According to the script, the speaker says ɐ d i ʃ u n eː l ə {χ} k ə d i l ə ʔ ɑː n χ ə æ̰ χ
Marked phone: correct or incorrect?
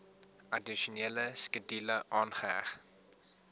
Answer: incorrect: s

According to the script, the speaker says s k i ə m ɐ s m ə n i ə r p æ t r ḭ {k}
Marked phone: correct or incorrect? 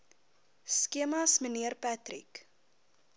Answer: correct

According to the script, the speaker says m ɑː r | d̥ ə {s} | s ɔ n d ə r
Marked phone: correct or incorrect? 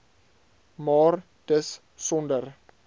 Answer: correct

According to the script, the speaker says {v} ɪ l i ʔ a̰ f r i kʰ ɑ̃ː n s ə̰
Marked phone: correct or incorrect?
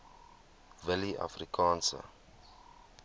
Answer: correct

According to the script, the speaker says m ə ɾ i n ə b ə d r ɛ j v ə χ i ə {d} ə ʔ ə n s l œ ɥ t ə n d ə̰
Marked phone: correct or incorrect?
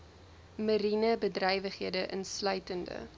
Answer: correct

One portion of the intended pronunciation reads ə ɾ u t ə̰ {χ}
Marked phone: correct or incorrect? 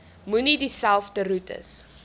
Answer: incorrect: s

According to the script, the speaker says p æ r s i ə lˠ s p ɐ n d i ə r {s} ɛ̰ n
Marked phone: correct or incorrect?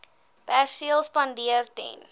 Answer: incorrect: t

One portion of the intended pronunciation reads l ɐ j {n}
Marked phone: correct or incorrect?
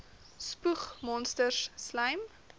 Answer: incorrect: m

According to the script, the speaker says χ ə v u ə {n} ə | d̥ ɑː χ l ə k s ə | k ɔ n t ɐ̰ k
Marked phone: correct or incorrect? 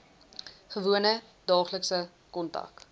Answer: correct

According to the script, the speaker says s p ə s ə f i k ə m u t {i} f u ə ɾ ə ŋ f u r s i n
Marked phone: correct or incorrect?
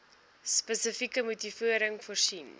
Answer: correct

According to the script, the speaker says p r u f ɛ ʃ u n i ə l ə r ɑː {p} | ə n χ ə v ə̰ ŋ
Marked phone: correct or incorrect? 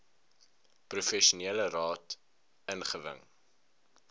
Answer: incorrect: t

